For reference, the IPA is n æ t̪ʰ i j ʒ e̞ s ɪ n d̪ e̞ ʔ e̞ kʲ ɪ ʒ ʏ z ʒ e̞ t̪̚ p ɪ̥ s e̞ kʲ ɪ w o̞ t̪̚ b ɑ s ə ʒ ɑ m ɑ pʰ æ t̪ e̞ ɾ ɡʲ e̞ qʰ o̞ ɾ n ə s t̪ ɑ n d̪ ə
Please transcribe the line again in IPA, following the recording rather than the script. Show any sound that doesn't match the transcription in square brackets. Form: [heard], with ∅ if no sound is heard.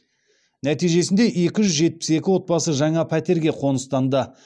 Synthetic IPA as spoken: n æ [t̪] i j ʒ e̞ s ɪ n d̪ e̞ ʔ e̞ kʲ ɪ ʒ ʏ z ʒ e̞ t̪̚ p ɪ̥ s e̞ kʲ ɪ w o̞ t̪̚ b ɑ s ə ʒ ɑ [ɴ] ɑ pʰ æ t̪ e̞ ɾ ɡʲ e̞ qʰ o̞ [∅] n ə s t̪ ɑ n d̪ ə

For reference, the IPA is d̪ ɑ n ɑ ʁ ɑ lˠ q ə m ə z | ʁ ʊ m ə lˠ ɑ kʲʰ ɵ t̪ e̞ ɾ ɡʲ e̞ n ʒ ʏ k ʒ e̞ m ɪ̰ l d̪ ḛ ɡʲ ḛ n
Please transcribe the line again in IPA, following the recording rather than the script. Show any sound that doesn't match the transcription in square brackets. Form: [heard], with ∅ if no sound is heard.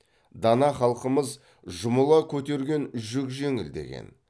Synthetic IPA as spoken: d̪ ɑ n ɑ [χ] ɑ lˠ q ə m ə z | [ʒ] ʊ m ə lˠ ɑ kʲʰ ɵ t̪ e̞ ɾ ɡʲ e̞ n ʒ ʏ k ʒ e̞ [ŋ] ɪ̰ l d̪ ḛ ɡʲ ḛ n

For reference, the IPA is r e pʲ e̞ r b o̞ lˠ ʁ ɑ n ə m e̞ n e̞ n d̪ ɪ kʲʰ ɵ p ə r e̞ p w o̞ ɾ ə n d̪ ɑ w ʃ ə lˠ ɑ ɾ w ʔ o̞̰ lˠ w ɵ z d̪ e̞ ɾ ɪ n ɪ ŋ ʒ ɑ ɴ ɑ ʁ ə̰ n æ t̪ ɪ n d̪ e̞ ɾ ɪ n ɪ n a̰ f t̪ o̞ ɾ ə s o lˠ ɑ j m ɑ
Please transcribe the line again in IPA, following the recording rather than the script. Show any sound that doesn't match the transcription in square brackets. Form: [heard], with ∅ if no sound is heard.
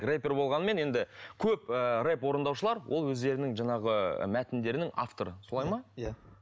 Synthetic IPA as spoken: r e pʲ e̞ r b o̞ lˠ ʁ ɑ n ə m e̞ n e̞ n d̪ ɪ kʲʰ ɵ p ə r e̞ p w o̞ ɾ ə n d̪ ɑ w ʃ ə lˠ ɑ ɾ w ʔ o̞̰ lˠ w ɵ z d̪ e̞ ɾ ɪ n ɪ ŋ ʒ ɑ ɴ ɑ ʁ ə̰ [m] æ t̪ ɪ n d̪ e̞ ɾ ɪ n ɪ [ŋ] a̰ f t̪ o̞ ɾ ə s o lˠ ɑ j m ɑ

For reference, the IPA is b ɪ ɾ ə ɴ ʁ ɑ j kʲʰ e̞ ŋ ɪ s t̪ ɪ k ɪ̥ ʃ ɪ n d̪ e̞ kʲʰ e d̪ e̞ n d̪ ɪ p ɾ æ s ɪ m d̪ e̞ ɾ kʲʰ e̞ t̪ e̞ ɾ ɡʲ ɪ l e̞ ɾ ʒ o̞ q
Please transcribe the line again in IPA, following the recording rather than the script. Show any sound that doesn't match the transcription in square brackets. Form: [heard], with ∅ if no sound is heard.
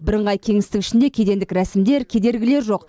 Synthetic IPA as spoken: b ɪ ɾ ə ɴ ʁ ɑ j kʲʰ e̞ ŋ ɪ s t̪ ɪ k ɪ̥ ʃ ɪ n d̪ e̞ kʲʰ e d̪ e̞ n d̪ ɪ [k] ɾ æ s ɪ m d̪ e̞ ɾ kʲʰ e̞ [d̪] e̞ ɾ ɡʲ ɪ l e̞ ɾ ʒ o̞ q

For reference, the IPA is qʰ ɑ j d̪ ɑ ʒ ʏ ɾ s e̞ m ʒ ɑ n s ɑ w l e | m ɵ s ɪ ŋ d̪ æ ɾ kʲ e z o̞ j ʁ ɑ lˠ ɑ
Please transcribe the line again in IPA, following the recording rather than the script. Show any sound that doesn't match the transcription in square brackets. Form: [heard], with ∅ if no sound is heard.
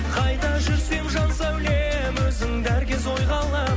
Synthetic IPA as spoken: qʰ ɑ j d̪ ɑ ʒ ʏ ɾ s e̞ m ʒ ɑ n s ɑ w l e | m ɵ [z] ɪ ŋ d̪ æ ɾ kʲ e z o̞ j ʁ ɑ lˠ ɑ

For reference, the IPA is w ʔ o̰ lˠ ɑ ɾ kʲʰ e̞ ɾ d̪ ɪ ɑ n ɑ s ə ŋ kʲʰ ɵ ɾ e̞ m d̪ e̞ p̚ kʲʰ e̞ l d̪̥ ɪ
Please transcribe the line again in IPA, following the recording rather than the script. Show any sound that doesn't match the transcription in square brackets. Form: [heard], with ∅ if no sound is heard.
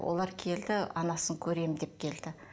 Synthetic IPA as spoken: w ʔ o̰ lˠ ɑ ɾ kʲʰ e̞ [l] d̪ ɪ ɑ n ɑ s ə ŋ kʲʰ ɵ ɾ e̞ m d̪ e̞ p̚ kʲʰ e̞ l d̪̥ ɪ

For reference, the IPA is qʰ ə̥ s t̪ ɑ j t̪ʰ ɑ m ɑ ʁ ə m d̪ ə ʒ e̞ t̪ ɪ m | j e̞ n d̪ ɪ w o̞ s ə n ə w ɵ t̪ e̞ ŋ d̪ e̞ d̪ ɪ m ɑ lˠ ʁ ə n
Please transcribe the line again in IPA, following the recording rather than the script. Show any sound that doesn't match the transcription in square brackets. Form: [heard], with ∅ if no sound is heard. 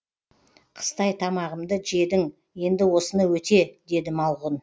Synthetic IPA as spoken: qʰ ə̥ s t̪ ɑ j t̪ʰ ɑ m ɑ ʁ ə m d̪ ə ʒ e̞ [d̪] ɪ [ŋ] | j e̞ n d̪ ɪ w o̞ s ə n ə w ɵ t̪ e̞ [∅] d̪ e̞ d̪ ɪ m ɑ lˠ ʁ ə n

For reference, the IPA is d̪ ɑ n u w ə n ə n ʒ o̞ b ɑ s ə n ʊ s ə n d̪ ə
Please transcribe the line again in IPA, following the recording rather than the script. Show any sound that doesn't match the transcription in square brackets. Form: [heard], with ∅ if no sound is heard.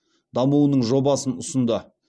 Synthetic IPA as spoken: d̪ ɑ [m] u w ə n ə [ɴ] ʒ o̞ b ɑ s ə n ʊ s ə n d̪ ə

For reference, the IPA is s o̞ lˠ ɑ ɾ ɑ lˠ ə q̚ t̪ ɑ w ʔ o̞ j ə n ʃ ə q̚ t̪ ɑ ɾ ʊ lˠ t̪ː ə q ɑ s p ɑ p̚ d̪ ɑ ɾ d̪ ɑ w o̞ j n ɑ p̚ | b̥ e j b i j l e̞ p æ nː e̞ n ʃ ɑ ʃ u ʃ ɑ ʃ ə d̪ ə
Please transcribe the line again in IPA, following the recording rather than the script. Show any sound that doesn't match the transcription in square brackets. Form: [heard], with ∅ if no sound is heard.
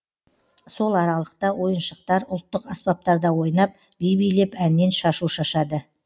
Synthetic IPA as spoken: s o̞ lˠ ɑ ɾ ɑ lˠ ə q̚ t̪ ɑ w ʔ o̞ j ə n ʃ ə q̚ t̪ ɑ ɾ ʊ lˠ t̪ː ə q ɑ s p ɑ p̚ [t̪] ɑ ɾ d̪ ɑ w o̞ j n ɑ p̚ | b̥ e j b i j l e̞ p æ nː e̞ n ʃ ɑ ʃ u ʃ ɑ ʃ [ɑ] d̪ ə

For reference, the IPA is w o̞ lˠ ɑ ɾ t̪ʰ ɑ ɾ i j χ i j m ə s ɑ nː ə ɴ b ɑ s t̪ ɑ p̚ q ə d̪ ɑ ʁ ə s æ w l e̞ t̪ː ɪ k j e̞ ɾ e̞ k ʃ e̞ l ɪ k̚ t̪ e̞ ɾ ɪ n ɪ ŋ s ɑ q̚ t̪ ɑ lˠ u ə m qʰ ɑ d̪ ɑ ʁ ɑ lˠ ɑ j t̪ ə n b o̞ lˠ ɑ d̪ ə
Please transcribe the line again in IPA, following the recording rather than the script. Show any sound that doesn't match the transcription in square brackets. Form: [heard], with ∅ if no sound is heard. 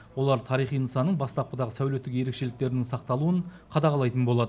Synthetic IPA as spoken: w o̞ lˠ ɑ ɾ t̪ʰ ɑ ɾ i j χ i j [n] ə s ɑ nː ə ɴ b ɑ s t̪ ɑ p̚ q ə d̪ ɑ ʁ ə s æ w l e̞ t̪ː ɪ k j e̞ ɾ e̞ k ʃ e̞ l ɪ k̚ t̪ e̞ ɾ ɪ n ɪ ŋ s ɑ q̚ t̪ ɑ lˠ u ə [ɴ] qʰ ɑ d̪ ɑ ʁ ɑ lˠ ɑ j t̪ ə n b o̞ lˠ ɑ d̪ ə

